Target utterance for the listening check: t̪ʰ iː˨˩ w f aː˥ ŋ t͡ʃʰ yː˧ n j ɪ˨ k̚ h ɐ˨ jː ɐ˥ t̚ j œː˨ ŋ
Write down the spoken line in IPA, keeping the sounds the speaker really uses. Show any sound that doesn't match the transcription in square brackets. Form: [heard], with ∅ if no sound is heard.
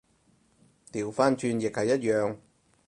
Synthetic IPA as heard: [t̪] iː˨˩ w f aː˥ [n] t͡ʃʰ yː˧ n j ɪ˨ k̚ h ɐ˨ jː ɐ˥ t̚ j œː˨ ŋ